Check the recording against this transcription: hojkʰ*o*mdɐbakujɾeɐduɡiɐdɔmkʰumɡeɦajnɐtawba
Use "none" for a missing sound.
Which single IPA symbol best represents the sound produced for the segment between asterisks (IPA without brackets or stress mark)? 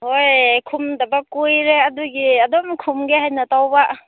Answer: u